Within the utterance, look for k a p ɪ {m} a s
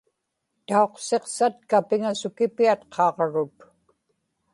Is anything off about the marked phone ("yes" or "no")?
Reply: yes